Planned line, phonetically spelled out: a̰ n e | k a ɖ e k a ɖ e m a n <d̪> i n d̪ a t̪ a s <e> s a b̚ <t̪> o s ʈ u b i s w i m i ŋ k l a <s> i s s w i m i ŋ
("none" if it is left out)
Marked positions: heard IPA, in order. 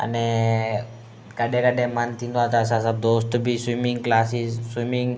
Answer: t̪, a, d̪, s

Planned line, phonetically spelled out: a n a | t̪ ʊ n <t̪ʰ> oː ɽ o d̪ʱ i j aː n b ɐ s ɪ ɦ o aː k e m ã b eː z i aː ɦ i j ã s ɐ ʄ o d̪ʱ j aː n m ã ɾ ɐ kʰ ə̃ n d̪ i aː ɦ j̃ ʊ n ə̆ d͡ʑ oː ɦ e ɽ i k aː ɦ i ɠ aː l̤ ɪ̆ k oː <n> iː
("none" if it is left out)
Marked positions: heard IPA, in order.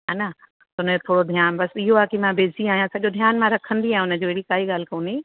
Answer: t̪ʰ, n

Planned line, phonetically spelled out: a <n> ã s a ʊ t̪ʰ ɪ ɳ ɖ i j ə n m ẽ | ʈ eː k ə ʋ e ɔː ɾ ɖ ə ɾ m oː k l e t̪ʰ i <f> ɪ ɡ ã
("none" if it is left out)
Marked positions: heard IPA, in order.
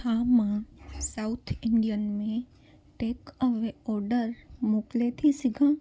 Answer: m, s

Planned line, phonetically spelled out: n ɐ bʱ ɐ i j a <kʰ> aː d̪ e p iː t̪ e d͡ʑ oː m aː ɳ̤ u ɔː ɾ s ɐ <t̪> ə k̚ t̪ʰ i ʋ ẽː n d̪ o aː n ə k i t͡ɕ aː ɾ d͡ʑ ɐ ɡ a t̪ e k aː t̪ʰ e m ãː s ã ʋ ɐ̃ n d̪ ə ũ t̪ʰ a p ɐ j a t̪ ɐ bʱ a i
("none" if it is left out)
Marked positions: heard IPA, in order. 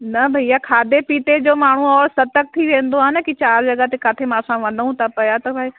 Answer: kʰ, t̪

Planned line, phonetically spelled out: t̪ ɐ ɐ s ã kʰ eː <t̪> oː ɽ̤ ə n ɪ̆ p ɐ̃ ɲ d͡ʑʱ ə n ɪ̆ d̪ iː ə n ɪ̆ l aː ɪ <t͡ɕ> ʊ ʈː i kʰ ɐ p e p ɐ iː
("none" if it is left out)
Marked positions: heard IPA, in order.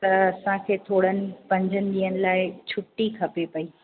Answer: t̪ʰ, t͡ɕʰ

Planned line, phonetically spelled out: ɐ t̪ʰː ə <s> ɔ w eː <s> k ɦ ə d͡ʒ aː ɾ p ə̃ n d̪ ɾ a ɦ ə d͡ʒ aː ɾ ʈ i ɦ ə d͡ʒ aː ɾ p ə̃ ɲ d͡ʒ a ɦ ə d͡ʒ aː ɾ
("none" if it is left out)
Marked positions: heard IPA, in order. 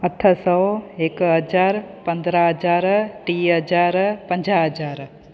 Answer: s, none

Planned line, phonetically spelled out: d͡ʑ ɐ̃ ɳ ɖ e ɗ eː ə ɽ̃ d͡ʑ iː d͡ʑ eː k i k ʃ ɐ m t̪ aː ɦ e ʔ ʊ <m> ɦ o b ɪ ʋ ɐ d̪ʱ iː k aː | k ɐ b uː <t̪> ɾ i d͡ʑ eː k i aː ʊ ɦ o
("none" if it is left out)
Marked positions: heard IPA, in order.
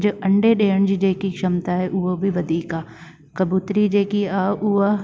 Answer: none, t̪

